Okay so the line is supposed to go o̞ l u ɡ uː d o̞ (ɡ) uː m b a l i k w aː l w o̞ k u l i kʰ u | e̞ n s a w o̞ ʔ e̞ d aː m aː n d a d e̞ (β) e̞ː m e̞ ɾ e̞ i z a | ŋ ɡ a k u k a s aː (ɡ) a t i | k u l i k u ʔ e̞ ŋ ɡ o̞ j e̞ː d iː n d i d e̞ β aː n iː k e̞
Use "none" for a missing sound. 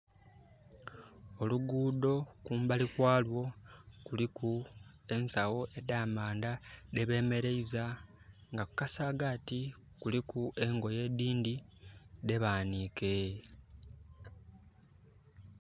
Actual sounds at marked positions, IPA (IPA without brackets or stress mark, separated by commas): k, β, ɡ